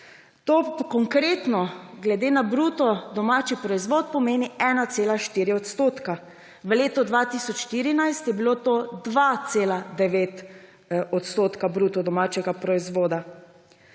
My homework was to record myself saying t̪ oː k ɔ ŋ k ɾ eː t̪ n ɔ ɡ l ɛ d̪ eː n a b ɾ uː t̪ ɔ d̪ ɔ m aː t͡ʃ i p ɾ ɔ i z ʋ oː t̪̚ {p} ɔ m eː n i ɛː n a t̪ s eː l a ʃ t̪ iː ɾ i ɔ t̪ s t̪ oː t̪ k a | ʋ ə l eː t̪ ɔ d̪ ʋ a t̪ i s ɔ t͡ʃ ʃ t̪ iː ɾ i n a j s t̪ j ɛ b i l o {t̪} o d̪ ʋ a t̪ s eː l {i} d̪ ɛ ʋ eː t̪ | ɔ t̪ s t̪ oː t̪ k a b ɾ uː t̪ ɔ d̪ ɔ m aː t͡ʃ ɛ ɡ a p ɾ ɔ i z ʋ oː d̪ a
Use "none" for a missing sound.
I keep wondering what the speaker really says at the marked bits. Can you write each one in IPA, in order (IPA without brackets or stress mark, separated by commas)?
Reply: p, t̪, a